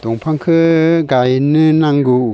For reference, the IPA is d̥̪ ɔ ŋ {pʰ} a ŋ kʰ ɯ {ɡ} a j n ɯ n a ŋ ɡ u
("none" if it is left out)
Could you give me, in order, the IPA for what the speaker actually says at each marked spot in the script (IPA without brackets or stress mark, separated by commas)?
pʰ, ɡ